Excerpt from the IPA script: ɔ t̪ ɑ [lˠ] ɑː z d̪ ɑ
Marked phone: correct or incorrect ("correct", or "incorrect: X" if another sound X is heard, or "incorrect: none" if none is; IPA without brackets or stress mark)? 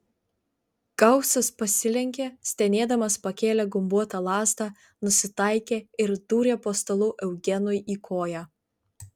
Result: correct